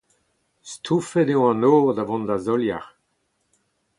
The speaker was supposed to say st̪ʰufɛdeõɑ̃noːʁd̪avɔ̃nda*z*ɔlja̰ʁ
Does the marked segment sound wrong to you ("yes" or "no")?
no